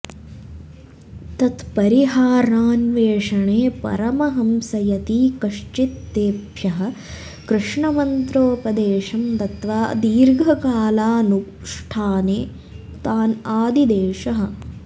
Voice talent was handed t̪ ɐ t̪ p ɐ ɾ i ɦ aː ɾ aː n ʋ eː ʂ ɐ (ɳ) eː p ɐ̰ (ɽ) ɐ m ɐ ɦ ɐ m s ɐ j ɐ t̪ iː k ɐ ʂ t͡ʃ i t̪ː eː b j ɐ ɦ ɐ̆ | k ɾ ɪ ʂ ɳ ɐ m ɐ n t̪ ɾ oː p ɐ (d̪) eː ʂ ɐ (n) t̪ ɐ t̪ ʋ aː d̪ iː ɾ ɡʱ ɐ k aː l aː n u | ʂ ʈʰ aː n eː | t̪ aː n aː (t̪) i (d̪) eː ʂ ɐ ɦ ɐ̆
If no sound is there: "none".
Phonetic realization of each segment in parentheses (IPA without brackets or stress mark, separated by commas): ɳ, ɾ, d̪, m, d̪, d̪